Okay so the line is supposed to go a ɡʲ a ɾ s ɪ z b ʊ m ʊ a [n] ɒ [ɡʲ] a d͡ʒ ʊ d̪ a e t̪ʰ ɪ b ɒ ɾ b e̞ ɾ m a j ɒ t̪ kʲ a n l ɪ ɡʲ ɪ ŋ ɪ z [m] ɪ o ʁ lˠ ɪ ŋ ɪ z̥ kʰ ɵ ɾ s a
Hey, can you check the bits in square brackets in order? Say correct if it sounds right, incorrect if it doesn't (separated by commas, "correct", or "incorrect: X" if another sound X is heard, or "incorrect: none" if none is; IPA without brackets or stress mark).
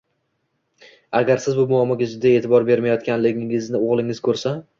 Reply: incorrect: m, correct, incorrect: n